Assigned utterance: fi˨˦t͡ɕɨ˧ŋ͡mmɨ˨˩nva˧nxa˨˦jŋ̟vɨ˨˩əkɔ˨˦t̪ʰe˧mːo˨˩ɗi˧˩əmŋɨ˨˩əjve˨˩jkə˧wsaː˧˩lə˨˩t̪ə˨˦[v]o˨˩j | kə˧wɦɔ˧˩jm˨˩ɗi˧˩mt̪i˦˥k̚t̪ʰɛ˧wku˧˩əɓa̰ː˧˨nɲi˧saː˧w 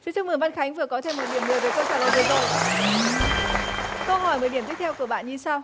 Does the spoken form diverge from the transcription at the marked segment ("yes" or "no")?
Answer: yes